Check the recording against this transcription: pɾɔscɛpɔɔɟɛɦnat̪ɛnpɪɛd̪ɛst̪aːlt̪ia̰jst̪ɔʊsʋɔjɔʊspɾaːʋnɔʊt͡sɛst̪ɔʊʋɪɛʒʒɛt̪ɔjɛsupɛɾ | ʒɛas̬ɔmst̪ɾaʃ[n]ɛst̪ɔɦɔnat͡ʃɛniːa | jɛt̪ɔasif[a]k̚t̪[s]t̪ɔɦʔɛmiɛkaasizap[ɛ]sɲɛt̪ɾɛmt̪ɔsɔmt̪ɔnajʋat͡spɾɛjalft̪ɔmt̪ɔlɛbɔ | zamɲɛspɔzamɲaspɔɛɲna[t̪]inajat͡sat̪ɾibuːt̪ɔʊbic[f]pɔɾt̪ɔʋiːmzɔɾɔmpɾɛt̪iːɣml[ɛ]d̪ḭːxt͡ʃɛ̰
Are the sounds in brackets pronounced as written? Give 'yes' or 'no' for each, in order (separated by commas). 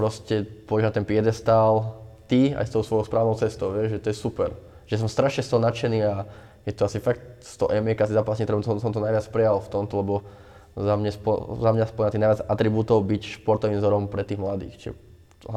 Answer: no, yes, yes, no, yes, no, no